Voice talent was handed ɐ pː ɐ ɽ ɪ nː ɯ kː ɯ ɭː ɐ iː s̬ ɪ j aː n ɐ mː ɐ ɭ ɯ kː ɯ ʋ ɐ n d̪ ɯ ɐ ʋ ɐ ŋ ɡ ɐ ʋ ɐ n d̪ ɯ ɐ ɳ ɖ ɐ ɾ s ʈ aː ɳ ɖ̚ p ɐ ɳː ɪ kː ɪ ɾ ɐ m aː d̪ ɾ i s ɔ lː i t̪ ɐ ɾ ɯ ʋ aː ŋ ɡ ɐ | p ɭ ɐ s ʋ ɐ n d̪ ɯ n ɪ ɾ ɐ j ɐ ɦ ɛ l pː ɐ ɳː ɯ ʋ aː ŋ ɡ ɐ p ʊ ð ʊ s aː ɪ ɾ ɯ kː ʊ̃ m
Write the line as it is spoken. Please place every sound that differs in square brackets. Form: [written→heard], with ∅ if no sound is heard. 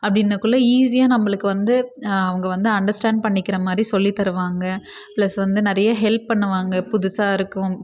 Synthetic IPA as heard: ɐ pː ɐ ɽ ɪ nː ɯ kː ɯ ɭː ɐ iː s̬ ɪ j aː n ɐ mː ɐ ɭ ɯ kː ɯ ʋ ɐ n d̪ ɯ ɐ ʋ ɐ ŋ ɡ ɐ ʋ ɐ n d̪ ɯ ɐ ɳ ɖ ɐ ɾ s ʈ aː ɳ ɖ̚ p ɐ ɳː ɪ kː ɪ ɾ ɐ m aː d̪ ɾ i s ɔ lː i t̪ ɐ ɾ ɯ ʋ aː ŋ ɡ ɐ | p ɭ ɐ s ʋ ɐ n d̪ ɯ n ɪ ɾ ɐ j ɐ ɦ ɛ l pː ɐ ɳː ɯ ʋ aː ŋ ɡ ɐ p ʊ ð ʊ s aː ɪ ɾ ɯ kː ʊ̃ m

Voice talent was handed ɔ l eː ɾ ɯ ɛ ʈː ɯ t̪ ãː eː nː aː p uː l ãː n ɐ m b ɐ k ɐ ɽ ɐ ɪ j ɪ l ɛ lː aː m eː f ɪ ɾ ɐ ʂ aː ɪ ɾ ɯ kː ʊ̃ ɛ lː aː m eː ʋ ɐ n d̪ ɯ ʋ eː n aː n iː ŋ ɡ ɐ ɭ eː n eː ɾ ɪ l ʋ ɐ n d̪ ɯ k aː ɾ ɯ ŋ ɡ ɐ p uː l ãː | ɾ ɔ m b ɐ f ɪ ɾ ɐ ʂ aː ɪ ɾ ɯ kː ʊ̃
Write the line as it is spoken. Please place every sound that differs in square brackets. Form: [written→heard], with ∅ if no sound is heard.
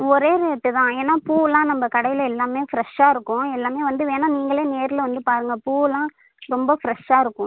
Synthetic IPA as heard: ɔ [l→ɾ] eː ɾ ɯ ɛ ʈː ɯ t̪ ãː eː nː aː p uː l ãː n ɐ m b ɐ k ɐ ɽ ɐ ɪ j ɪ l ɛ lː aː m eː f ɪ ɾ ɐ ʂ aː ɪ ɾ ɯ kː ʊ̃ ɛ lː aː m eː ʋ ɐ n d̪ ɯ ʋ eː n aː n iː ŋ ɡ ɐ ɭ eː n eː ɾ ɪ l ʋ ɐ n d̪ ɯ [k→p] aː ɾ ɯ ŋ ɡ ɐ p uː l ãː | ɾ ɔ m b ɐ f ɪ ɾ ɐ ʂ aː ɪ ɾ ɯ kː ʊ̃

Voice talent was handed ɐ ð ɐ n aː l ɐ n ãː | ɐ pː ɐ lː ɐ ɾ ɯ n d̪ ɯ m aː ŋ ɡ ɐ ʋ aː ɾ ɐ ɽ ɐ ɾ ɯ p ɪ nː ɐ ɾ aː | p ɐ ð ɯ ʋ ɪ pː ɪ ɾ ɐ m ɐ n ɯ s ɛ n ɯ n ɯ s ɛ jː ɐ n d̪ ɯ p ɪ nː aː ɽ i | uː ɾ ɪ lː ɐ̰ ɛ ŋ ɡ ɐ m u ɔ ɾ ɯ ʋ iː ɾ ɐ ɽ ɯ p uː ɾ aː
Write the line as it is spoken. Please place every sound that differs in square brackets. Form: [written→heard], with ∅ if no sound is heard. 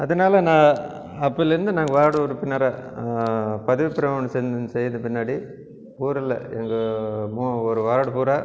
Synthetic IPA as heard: ɐ ð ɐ n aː l ɐ n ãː | ɐ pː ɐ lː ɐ ɾ ɯ n d̪ ɯ [m→n] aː ŋ ɡ ɐ ʋ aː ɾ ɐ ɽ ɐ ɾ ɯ p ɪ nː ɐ ɾ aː | p ɐ ð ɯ ʋ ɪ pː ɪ ɾ ɐ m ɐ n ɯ s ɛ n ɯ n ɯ s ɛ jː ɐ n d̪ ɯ p ɪ nː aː ɽ i | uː ɾ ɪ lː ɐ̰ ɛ ŋ ɡ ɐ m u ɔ ɾ ɯ ʋ [iː→aː] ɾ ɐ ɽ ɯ p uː ɾ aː

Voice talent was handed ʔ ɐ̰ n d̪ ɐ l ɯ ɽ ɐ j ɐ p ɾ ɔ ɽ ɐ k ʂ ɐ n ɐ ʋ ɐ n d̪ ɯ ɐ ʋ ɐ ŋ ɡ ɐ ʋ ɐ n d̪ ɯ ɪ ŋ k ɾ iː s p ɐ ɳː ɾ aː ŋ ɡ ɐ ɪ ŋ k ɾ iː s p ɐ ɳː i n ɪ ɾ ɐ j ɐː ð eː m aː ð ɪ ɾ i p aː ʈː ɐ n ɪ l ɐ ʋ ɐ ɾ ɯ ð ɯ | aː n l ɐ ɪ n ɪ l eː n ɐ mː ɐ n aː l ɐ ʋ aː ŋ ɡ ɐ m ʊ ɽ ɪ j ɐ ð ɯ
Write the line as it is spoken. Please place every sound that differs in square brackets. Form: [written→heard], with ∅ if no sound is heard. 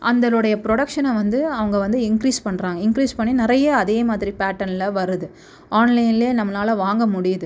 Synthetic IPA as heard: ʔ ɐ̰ n d̪ ɐ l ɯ ɽ ɐ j ɐ p ɾ ɔ ɽ ɐ k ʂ ɐ n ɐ ʋ ɐ n d̪ ɯ ɐ ʋ ɐ ŋ ɡ ɐ ʋ ɐ n d̪ ɯ ɪ ŋ k ɾ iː s p ɐ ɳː ɾ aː ŋ ɡ ɐ ɪ ŋ k ɾ iː s p ɐ ɳː i n ɪ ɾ ɐ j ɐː ð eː m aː ð ɪ ɾ i p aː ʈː ɐ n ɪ l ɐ ʋ ɐ ɾ ɯ ð ɯ | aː n l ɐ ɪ n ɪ l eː n ɐ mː ɐ n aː l ɐ ʋ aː ŋ ɡ ɐ m ʊ ɽ ɪ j ɐ ð ɯ

